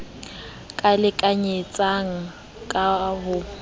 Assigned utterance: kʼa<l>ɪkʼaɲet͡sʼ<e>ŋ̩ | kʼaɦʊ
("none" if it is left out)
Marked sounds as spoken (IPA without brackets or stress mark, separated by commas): l, a